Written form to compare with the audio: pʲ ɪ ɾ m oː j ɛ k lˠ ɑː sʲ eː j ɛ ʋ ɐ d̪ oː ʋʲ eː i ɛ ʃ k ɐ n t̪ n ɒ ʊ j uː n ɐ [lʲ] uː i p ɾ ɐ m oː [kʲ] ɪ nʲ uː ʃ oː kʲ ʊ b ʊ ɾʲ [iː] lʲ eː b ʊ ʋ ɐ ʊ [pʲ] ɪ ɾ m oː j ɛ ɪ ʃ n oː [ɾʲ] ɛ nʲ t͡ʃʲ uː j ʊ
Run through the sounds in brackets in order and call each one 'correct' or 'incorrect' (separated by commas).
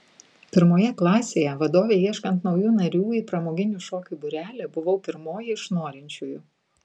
incorrect, incorrect, incorrect, correct, correct